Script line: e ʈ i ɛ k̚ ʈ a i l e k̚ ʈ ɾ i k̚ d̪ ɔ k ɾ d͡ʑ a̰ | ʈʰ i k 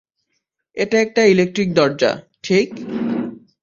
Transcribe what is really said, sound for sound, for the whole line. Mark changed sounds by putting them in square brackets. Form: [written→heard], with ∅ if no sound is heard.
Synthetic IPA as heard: e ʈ [i→a] ɛ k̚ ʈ a i l e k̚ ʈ ɾ i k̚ d̪ ɔ [k→∅] ɾ d͡ʑ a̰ | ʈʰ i k